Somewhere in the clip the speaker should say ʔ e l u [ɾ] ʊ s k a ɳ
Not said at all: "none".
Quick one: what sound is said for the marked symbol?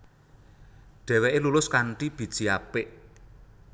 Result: l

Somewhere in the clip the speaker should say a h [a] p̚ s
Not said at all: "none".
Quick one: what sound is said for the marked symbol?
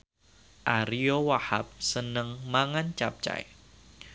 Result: a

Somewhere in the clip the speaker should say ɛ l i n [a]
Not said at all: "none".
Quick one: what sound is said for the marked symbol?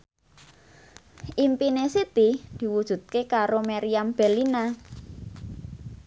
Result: a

